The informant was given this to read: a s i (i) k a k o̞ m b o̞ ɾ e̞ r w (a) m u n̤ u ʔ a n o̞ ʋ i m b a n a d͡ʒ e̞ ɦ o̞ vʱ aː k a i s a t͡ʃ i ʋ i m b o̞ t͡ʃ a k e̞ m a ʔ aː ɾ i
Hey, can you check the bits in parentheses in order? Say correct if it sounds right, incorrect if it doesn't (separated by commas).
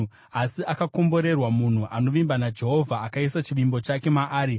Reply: incorrect, correct